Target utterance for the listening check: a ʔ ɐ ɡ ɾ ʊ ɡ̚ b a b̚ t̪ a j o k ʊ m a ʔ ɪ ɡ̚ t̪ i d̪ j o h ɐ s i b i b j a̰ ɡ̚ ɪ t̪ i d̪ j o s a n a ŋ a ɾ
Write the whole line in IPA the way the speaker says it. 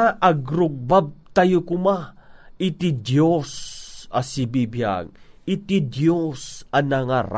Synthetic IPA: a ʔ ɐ ɡ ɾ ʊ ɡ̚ b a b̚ t̪ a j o k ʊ m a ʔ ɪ t̪ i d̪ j o s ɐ s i b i b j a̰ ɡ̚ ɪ t̪ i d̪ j o s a n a ŋ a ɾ